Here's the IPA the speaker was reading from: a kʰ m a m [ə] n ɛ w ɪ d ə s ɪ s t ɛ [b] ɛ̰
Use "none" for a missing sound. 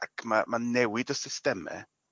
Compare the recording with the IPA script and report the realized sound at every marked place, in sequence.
a, m

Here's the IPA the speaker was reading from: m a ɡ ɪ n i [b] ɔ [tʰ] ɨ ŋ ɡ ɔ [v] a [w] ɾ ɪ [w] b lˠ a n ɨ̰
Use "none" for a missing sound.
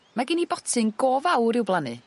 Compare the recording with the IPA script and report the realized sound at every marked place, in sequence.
b, tʰ, v, w, w

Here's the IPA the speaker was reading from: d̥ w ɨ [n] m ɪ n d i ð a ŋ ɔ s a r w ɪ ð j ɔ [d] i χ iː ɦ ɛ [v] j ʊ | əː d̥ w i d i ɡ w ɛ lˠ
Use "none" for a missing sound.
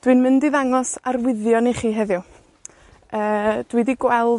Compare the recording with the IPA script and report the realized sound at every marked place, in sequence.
n, n, ð

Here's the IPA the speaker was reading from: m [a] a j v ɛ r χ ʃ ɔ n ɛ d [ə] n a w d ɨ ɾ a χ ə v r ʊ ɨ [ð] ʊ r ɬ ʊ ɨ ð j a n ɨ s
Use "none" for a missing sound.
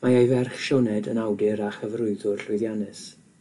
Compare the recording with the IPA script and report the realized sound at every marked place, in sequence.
a, ə, ð

